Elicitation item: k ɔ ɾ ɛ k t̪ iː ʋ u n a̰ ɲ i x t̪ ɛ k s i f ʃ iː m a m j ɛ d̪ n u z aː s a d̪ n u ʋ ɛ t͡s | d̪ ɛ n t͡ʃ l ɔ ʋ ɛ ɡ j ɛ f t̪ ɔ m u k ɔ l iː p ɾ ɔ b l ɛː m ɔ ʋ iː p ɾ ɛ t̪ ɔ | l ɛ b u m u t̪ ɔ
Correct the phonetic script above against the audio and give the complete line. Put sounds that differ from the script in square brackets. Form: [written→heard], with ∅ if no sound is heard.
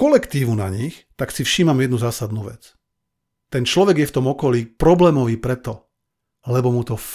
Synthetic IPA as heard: k ɔ [ɾ→l] ɛ k t̪ iː ʋ u n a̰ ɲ i x t̪ [ɛ→a] k s i f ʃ iː m a m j ɛ d̪ n u z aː s a d̪ n u ʋ ɛ t͡s | [d̪→t̪] ɛ n t͡ʃ l ɔ ʋ ɛ ɡ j ɛ f t̪ ɔ m [u→ɔ] k ɔ l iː p ɾ ɔ b l ɛː m ɔ ʋ iː p ɾ ɛ t̪ ɔ | l ɛ b [u→ɔ] m u t̪ ɔ